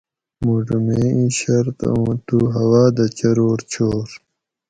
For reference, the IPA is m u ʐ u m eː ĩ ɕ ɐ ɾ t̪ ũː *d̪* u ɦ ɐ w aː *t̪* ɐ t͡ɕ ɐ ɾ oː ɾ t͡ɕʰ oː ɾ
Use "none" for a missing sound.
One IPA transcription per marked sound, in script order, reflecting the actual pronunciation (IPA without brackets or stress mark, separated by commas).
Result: t̪, d̪